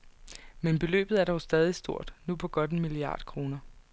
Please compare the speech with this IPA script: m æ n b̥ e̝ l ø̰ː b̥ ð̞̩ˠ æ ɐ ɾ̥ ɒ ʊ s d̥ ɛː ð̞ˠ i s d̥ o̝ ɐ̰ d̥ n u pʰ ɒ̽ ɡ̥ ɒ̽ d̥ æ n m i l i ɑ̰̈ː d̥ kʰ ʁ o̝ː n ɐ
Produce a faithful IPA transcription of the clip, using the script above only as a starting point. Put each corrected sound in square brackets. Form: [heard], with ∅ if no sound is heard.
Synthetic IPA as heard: m [e] n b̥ e̝ l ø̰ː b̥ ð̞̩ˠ æ ɐ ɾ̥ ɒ ʊ s d̥ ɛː ð̞ˠ i s d̥ o̝ ɐ̰ d̥ n u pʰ ɒ̽ ɡ̥ ɒ̽ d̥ [e] n m i l i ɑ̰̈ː d̥ kʰ ʁ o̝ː n ɐ